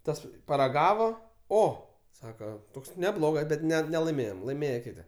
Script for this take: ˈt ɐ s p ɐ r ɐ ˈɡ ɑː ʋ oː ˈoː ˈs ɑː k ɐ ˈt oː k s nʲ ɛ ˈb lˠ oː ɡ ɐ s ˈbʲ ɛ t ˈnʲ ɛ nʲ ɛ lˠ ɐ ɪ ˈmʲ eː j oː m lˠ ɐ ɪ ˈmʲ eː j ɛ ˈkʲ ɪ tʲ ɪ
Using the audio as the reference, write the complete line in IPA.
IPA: ˈt ɐ s p ɐ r ɐ ˈɡ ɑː ʋ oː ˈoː ˈs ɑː k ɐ ˈt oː k s nʲ ɛ ˈb lˠ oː ɡ ɐ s ˈbʲ ɛ t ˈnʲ ɛ nʲ ɛ lˠ ɐ ɪ ˈmʲ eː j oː m lˠ ɐ ɪ ˈmʲ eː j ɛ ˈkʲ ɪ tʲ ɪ